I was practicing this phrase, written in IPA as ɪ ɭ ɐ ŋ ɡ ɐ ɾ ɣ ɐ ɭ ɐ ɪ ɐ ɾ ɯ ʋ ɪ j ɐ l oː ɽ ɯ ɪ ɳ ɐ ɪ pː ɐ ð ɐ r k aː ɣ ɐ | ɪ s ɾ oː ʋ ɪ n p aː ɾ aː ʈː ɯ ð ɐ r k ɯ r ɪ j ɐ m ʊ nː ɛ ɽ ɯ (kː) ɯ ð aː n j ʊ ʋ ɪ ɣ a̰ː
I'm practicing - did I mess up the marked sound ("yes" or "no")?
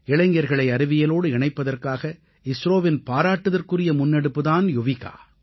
yes